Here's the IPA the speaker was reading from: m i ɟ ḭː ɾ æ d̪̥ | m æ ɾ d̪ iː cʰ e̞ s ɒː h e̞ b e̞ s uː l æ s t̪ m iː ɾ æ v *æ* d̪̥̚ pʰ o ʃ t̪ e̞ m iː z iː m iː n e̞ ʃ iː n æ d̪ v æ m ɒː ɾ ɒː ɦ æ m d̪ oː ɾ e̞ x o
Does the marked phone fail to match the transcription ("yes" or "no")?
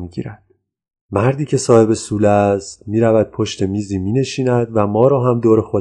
no